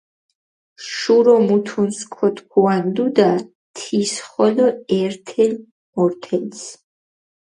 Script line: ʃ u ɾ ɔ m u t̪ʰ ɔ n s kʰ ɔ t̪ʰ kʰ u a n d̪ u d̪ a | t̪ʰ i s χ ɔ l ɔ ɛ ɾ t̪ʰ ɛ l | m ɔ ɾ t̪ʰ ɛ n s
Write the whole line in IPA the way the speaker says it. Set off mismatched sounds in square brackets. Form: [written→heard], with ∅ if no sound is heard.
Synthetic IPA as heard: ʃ u ɾ ɔ m u t̪ʰ [ɔ→u] n s kʰ ɔ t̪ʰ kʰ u a n d̪ u d̪ a | t̪ʰ i s χ ɔ l ɔ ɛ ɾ t̪ʰ ɛ l | m ɔ ɾ t̪ʰ ɛ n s